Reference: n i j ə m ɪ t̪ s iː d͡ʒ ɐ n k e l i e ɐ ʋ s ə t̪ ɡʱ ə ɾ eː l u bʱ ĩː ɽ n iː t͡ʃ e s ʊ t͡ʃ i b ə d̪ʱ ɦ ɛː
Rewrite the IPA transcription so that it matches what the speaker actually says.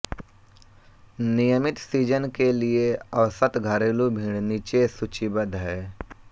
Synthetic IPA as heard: n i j ə m ɪ t̪ s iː d͡ʒ ə n k e l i e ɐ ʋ s ə t̪ ɡʱ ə ɾ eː l u bʱ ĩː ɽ n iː t͡ʃ e s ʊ t͡ʃ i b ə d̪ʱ ɦ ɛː